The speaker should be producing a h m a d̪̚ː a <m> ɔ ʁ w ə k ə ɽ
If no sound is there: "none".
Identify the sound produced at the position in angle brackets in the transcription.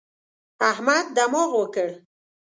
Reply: m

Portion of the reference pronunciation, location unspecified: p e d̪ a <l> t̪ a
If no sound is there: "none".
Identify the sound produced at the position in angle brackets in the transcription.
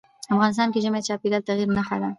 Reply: l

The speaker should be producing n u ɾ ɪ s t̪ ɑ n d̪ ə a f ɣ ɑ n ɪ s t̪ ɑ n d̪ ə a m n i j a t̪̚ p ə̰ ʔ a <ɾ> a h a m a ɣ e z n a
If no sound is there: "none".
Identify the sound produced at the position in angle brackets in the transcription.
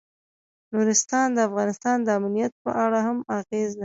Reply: ɽ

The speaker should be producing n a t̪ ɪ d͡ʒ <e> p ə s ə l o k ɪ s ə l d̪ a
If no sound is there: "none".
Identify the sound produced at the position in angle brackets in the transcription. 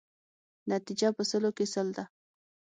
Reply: a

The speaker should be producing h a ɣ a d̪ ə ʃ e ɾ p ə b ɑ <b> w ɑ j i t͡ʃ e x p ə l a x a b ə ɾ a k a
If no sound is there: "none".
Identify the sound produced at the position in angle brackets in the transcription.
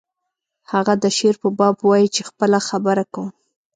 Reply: b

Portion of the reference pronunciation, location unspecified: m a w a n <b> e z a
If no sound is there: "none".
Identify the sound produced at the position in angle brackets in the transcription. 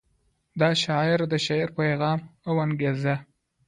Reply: ɡ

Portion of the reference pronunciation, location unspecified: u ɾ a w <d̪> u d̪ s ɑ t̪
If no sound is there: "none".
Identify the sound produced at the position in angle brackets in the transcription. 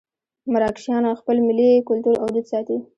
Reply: d̪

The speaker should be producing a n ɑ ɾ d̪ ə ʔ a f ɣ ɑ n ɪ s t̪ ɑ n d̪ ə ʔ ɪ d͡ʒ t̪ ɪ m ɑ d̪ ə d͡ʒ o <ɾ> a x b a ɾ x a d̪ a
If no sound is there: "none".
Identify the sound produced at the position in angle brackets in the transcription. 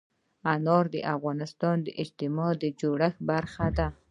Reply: ɽ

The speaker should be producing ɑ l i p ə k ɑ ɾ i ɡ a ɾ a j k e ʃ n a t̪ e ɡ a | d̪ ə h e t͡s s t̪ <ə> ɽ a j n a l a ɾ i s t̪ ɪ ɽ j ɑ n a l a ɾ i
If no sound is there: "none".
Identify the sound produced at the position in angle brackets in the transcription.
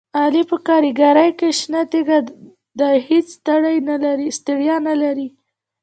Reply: a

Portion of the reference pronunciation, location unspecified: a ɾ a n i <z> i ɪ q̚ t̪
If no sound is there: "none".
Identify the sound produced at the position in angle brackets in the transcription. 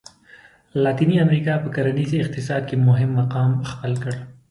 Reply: z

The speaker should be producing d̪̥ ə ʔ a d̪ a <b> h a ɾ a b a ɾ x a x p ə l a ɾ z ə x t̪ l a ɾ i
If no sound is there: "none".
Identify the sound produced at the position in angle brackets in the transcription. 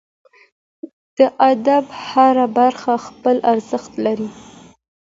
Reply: b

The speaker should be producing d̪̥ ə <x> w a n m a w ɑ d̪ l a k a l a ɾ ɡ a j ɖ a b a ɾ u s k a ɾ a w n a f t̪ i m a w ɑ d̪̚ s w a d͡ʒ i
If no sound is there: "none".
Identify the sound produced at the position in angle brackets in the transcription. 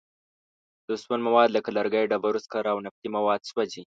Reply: s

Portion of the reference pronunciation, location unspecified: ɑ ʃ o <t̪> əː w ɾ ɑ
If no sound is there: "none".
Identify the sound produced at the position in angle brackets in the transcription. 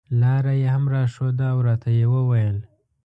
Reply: d̪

